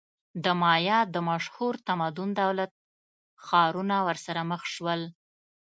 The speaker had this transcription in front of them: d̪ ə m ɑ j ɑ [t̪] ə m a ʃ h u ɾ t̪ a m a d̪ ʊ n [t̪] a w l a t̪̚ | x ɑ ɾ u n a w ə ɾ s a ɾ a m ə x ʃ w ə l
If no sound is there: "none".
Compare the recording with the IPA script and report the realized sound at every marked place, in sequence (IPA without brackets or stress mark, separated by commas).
d̪, d̪